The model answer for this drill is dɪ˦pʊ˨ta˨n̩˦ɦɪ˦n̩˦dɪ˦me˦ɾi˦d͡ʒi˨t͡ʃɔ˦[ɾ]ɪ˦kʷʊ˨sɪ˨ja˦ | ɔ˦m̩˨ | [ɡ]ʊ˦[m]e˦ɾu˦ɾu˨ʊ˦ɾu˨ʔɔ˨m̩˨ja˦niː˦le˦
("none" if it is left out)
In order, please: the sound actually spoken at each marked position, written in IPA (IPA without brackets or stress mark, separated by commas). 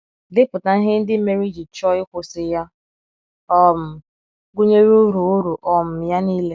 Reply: none, ɡ, ɲ